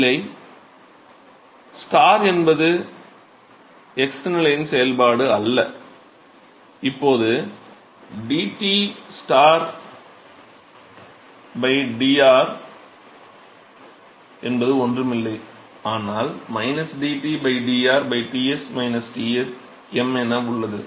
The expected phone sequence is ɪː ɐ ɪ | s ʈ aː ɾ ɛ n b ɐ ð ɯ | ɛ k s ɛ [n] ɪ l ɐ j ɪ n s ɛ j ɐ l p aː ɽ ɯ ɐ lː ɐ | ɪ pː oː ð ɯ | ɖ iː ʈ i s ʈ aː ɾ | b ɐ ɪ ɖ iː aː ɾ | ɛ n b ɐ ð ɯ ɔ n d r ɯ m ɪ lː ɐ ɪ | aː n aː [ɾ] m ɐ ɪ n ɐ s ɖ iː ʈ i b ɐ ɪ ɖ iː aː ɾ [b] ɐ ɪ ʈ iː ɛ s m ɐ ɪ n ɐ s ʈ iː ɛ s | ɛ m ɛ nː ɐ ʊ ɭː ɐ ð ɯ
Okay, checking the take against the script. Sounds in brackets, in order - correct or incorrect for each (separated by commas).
correct, incorrect, correct